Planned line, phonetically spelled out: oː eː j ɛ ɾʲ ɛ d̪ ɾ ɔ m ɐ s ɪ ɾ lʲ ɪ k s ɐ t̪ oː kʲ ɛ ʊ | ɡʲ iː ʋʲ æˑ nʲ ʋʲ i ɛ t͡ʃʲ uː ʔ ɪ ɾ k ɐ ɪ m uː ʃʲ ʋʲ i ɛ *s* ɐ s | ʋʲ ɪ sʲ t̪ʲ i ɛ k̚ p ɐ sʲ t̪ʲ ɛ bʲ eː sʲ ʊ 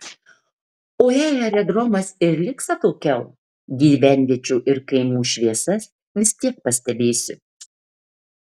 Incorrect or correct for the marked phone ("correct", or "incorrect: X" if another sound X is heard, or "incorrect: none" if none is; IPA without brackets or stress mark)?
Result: correct